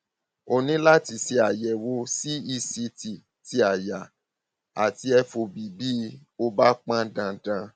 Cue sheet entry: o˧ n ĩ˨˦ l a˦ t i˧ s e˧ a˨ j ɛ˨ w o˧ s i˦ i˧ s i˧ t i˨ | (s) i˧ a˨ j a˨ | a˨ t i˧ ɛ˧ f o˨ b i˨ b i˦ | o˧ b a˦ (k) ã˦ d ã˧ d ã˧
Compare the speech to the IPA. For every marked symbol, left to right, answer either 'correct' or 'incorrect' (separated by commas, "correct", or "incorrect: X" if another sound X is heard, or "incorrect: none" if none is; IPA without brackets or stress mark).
incorrect: t, incorrect: k͡p